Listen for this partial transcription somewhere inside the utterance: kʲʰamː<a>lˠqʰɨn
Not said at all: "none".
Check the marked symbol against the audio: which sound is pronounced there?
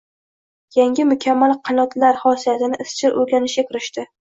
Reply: a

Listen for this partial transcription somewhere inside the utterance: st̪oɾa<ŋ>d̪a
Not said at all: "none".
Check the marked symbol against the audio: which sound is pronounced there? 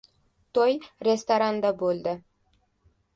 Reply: n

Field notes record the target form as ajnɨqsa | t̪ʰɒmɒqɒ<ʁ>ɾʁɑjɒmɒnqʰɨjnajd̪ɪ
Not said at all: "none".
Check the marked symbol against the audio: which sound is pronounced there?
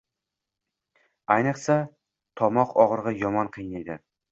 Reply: ʁ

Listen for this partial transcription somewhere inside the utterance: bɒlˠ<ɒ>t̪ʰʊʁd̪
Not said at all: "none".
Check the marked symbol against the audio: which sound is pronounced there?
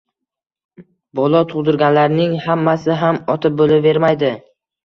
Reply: ɒ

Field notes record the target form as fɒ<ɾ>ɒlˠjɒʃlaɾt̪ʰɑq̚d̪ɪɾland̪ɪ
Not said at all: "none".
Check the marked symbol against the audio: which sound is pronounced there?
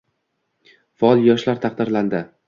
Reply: none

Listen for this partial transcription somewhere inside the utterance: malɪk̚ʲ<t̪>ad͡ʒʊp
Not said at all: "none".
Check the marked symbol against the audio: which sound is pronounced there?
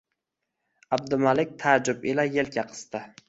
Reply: t̪ʰ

